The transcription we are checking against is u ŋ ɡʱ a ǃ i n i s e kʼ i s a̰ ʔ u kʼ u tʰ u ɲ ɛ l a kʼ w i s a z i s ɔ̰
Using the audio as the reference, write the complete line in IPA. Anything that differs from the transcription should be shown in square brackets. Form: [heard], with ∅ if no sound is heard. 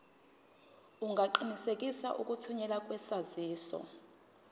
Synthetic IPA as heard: u ŋ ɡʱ a ǃ i n i s e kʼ i s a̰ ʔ u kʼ u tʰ u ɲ ɛ l a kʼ w [ɛ] s a z [iː] s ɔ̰

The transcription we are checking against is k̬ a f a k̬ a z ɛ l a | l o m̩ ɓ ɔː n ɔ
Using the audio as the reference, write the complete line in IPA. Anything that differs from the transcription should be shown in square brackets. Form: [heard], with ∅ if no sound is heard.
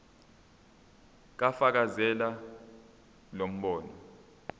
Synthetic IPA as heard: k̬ a f a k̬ a z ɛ l a | l o m̩ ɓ ɔː n ɔ

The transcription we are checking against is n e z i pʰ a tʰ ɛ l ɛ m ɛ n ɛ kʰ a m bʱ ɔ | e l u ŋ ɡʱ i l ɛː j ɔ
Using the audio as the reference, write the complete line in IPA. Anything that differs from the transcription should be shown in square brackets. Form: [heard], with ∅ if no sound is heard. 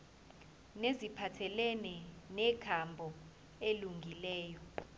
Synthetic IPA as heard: n e z i pʰ a tʰ ɛ l ɛ [n] ɛ n ɛ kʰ a m bʱ ɔ | e l u ŋ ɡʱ i l ɛː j ɔ

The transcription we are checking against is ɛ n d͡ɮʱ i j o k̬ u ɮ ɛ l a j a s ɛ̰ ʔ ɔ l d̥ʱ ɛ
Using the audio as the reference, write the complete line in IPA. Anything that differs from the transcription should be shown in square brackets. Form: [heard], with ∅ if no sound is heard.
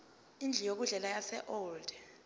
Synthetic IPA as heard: [i] n d͡ɮʱ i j o k̬ u ɮ ɛ l a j a s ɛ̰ ʔ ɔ l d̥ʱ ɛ

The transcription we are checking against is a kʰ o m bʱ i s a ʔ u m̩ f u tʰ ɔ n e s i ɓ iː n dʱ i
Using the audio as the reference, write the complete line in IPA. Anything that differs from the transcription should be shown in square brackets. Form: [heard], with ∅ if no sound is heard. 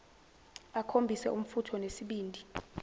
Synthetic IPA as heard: a kʰ o m bʱ i s [ɛ] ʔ u m̩ f u tʰ ɔ n e s i ɓ iː n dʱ i

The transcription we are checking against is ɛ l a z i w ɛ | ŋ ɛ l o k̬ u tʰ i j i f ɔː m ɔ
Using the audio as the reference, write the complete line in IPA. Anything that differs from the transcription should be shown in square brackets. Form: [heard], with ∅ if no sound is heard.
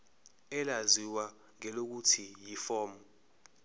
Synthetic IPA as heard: ɛ l a z i w [a] | ŋ ɛ l o k̬ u tʰ i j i f ɔː m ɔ

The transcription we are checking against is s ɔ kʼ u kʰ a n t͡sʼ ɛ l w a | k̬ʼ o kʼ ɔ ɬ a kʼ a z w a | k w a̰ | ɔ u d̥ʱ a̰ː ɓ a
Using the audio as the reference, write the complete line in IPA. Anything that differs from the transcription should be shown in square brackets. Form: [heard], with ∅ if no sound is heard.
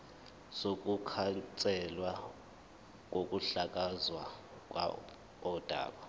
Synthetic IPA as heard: s [o] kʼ u kʰ a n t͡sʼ ɛ l w a | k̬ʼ o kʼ [u] ɬ a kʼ a z w a | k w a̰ | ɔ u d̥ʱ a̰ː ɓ a

